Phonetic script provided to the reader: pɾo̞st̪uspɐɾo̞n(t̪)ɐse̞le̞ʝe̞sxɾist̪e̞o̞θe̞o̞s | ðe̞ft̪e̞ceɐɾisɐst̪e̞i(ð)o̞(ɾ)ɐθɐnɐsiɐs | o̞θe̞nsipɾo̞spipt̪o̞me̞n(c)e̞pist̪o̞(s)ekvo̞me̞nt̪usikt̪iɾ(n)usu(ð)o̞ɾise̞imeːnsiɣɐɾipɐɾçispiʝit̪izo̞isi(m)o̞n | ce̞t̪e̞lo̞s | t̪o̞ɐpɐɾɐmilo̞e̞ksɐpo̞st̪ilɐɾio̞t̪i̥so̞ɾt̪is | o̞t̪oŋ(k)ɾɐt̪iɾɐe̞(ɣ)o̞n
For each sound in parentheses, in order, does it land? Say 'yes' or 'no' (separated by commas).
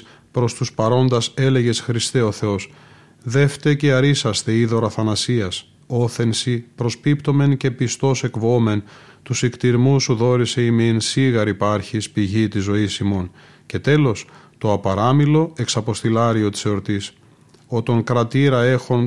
no, yes, yes, yes, yes, no, yes, yes, yes, no